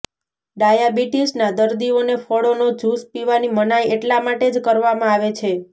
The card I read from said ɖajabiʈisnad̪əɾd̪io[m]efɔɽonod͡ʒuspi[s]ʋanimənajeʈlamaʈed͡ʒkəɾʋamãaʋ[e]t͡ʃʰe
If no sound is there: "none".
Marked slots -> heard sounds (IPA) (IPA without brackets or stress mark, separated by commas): n, none, e